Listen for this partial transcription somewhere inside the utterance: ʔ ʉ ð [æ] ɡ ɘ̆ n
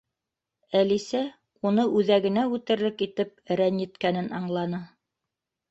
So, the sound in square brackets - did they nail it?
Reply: yes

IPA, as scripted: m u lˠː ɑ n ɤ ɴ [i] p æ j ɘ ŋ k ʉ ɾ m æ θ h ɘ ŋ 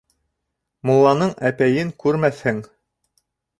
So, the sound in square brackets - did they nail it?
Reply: no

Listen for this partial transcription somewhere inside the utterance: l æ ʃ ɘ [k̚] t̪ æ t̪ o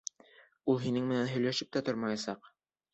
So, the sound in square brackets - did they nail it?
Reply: no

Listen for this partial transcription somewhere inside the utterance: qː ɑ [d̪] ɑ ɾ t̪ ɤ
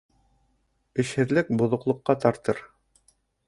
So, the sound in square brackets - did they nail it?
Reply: no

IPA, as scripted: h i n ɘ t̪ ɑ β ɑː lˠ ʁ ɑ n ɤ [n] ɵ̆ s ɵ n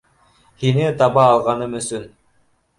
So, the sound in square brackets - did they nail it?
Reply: no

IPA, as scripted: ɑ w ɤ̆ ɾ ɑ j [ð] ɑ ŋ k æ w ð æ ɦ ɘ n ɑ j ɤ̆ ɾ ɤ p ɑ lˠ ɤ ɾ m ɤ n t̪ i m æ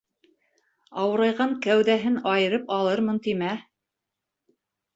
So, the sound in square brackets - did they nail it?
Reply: no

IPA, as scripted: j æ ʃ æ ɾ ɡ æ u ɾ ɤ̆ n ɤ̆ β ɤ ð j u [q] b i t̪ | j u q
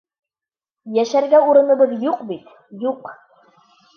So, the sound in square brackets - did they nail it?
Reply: yes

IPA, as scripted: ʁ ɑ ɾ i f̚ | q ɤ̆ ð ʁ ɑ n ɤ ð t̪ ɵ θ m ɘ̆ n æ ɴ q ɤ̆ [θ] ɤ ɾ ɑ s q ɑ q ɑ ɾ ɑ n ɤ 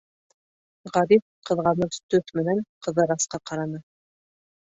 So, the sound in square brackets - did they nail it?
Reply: no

